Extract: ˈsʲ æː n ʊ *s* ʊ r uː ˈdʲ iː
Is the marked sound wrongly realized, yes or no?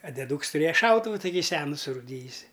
no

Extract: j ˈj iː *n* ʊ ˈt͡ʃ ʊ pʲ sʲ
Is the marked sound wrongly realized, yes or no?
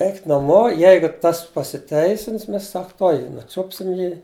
no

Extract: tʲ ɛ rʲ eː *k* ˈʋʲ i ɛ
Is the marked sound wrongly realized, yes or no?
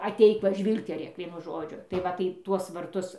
no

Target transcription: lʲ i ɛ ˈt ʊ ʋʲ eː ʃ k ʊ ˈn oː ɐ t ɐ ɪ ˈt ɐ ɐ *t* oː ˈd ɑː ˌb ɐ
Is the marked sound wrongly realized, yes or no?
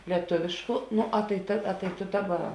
no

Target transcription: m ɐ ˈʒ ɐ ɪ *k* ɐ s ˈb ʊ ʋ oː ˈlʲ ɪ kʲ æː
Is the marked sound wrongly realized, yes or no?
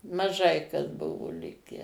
no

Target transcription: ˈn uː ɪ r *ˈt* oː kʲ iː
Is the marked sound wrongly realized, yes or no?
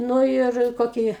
yes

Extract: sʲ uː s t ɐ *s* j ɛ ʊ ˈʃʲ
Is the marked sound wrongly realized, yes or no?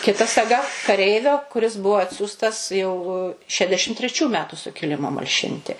no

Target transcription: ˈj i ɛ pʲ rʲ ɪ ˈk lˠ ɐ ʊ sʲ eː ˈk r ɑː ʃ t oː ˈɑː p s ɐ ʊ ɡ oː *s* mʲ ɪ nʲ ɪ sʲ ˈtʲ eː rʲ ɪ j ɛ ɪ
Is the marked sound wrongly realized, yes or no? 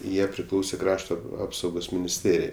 no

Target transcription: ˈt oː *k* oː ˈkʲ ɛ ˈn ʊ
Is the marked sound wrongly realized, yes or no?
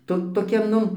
yes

